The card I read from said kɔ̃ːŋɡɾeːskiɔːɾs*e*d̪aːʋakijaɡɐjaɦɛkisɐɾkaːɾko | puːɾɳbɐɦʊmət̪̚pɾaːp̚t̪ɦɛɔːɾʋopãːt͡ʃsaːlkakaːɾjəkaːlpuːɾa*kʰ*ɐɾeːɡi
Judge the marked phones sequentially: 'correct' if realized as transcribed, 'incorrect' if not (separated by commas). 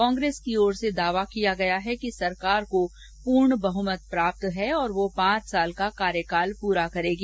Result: correct, incorrect